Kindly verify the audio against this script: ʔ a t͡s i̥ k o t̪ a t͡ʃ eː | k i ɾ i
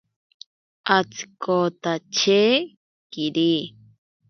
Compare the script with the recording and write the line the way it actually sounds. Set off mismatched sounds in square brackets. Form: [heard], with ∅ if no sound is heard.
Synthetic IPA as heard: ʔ a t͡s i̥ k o t̪ a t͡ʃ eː | k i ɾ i